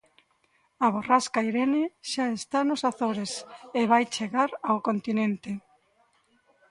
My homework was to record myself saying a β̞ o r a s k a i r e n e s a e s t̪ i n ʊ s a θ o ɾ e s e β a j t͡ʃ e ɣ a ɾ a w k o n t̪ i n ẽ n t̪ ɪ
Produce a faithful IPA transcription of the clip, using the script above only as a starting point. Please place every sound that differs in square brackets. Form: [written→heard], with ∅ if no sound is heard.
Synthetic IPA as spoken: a β̞ o r a s k a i [r→ɾ] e n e [s→ʃ] a e s t̪ [i→a] n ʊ s a θ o ɾ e s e β a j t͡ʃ e ɣ a ɾ a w k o n t̪ i n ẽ n t̪ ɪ